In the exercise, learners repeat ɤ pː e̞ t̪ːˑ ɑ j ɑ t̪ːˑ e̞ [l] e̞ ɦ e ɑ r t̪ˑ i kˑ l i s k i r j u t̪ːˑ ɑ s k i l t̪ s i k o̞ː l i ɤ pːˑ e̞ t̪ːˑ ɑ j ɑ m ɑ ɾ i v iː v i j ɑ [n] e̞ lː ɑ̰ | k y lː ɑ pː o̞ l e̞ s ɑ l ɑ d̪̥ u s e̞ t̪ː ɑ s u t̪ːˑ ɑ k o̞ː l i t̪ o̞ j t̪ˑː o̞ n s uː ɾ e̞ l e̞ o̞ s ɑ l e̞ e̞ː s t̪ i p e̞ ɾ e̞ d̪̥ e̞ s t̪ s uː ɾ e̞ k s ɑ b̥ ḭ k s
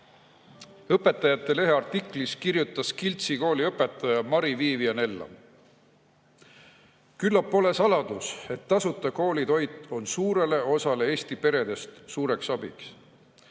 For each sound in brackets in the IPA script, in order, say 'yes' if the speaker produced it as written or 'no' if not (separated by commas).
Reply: yes, yes